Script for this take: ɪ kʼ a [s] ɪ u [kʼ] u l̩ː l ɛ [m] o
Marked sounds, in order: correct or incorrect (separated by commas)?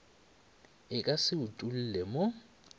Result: correct, incorrect, correct